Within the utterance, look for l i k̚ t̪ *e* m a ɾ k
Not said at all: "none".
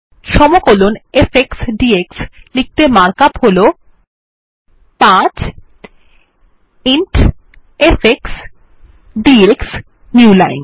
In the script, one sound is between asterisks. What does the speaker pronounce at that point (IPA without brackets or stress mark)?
e